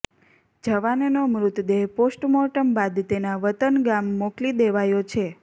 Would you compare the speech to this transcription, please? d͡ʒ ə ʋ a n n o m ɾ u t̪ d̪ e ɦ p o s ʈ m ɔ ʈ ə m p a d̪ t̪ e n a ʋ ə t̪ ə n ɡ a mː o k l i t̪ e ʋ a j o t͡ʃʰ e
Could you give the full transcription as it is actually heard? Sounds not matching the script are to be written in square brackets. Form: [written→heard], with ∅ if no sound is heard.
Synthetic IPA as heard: d͡ʒ ə ʋ a n n o m ɾ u t̪ d̪ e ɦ p o s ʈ m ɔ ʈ ə m [p→b] a d̪ t̪ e n a ʋ ə t̪ ə n ɡ a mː o k l i [t̪→d̪] e ʋ a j o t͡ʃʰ e